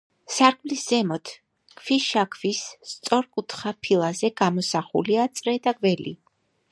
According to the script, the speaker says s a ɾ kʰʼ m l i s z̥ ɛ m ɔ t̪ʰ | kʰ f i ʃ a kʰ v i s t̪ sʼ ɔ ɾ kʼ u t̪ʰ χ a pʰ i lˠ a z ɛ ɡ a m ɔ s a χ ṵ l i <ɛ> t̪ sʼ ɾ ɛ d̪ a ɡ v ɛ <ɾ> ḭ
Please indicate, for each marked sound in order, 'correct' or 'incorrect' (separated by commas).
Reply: incorrect, incorrect